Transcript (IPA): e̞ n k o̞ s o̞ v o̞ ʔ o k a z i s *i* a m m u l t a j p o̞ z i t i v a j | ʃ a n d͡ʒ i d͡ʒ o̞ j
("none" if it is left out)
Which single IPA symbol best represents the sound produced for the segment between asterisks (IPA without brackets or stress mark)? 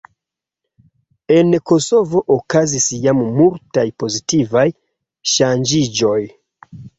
j